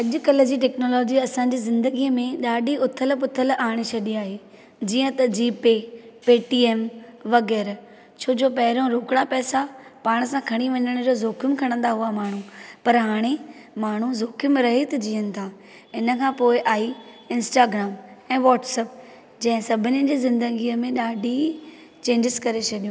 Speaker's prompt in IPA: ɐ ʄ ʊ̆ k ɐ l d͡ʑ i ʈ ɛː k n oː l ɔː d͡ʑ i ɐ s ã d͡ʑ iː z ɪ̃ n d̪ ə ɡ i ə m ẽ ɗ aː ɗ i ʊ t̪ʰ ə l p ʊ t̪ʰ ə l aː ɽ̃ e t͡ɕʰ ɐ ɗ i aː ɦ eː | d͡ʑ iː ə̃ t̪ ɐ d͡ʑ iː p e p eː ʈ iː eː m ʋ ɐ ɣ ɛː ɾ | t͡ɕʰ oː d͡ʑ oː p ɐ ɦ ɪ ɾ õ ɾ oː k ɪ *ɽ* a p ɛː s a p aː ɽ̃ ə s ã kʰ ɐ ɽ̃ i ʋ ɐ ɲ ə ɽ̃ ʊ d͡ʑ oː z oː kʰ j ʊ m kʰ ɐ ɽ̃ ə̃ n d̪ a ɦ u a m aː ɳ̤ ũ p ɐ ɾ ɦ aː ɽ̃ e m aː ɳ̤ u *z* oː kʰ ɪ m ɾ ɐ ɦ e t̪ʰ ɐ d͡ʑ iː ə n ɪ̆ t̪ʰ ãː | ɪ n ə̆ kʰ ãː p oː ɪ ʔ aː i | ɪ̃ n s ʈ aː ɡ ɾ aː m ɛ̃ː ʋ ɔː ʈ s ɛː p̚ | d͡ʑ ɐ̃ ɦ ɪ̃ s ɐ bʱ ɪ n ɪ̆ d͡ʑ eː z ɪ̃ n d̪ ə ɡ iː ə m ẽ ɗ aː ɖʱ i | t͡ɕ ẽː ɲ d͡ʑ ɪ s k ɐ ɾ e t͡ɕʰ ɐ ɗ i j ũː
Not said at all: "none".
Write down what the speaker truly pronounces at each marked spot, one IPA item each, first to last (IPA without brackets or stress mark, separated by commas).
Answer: ɽ, z